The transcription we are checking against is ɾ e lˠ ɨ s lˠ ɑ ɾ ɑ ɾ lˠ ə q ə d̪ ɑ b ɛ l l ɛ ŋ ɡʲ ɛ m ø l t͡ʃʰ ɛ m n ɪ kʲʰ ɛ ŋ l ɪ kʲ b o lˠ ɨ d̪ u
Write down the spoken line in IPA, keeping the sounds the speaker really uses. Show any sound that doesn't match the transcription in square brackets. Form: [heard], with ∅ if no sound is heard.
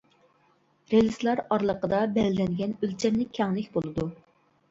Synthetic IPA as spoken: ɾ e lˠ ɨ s lˠ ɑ ɾ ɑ ɾ lˠ ə q ə d̪ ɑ b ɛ l l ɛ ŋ ɡʲ ɛ [n] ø l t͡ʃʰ ɛ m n ɪ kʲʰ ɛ ŋ l ɪ kʲ b o lˠ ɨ d̪ u

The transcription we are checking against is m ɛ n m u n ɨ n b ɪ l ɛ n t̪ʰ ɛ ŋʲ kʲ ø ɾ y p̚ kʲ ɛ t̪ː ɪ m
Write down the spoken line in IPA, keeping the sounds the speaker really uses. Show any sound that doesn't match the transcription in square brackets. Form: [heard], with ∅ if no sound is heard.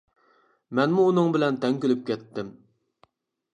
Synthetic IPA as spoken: m ɛ n m [uː] n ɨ [ŋ] b ɪ l ɛ n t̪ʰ ɛ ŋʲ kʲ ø [l] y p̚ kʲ ɛ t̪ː ɪ m

